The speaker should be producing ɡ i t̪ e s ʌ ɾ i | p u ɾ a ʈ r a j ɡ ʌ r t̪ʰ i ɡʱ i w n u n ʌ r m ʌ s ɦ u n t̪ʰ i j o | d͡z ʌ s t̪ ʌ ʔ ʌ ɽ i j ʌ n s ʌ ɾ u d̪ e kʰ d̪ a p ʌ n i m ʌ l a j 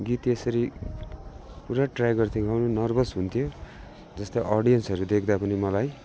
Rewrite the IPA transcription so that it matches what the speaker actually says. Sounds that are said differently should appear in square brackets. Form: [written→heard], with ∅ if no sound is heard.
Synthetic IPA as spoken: ɡ i t̪ e s ʌ ɾ i | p u ɾ a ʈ r a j ɡ ʌ r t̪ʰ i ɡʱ [i→a] w n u n ʌ r [m→b] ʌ s ɦ u n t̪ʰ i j o | d͡z ʌ s t̪ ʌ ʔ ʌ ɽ i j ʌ n s ʌ ɾ u d̪ e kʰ d̪ a p ʌ n i m ʌ l a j